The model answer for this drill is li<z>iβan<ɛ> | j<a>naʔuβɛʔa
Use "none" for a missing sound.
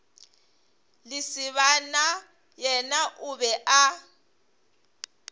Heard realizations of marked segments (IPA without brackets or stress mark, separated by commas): s, a, ɛ